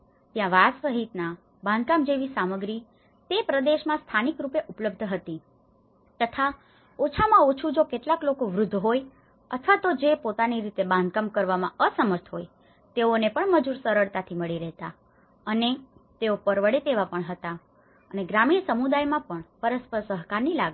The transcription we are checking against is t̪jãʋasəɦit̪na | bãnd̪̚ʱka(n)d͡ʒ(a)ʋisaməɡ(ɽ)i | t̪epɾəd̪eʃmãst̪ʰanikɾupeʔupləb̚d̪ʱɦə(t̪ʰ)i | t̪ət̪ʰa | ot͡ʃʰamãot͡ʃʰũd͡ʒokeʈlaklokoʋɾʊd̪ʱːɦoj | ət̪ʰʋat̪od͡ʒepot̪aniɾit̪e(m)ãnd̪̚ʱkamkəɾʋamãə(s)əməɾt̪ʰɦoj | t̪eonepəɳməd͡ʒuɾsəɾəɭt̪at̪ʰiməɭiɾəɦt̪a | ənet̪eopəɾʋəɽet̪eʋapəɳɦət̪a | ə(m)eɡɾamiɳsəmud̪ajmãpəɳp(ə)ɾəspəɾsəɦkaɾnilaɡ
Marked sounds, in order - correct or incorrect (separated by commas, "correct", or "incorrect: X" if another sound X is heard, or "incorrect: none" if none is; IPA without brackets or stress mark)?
incorrect: m, incorrect: e, incorrect: ɾ, incorrect: t̪, incorrect: b, correct, incorrect: n, correct